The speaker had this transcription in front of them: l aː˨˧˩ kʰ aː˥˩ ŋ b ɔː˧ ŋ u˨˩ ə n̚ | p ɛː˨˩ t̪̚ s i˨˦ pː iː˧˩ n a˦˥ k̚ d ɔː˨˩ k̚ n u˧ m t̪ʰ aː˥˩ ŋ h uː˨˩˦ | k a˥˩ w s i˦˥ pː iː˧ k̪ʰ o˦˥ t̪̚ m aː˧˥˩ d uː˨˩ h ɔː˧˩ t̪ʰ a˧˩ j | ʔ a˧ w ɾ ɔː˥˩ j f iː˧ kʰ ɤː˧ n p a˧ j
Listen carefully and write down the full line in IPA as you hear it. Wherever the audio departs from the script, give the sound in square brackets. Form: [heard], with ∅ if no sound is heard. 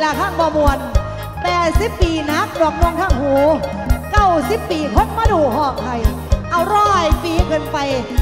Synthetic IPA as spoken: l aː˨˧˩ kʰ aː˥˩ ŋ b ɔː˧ [m] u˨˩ ə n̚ | p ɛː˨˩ t̪̚ s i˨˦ pː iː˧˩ n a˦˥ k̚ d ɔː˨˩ k̚ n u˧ [ŋ] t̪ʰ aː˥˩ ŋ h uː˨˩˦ | k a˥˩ w s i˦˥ pː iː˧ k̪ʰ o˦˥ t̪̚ m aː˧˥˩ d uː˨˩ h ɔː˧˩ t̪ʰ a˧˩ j | ʔ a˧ w ɾ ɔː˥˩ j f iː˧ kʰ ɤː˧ n p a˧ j